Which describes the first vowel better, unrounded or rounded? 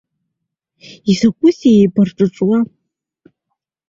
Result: unrounded